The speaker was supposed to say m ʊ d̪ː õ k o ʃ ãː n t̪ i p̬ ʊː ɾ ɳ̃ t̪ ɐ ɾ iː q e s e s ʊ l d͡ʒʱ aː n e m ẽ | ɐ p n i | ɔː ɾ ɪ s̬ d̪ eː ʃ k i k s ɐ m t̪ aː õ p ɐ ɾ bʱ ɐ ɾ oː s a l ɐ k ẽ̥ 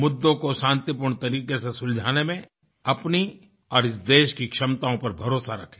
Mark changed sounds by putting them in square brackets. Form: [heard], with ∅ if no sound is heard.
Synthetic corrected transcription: m ʊ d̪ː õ k o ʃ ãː n t̪ i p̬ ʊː ɾ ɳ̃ t̪ ɐ ɾ iː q e s e s ʊ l d͡ʒʱ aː n e m ẽ | ɐ p n i | ɔː ɾ ɪ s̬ d̪ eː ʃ k i k [ʃ] ɐ m t̪ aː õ p ɐ ɾ bʱ ɐ ɾ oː s a [ɾ] ɐ [kʰ] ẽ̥